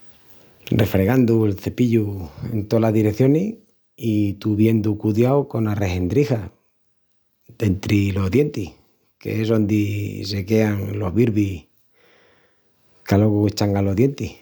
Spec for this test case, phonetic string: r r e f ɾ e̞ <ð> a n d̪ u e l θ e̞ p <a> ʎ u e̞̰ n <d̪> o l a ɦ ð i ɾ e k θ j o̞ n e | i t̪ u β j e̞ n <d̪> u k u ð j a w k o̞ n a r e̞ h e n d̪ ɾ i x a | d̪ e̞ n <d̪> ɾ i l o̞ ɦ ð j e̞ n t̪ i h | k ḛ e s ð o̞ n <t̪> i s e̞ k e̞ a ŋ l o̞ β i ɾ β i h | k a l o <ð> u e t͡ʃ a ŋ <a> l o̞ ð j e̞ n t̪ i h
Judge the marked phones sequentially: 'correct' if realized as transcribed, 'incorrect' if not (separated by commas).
incorrect, incorrect, incorrect, correct, incorrect, incorrect, incorrect, correct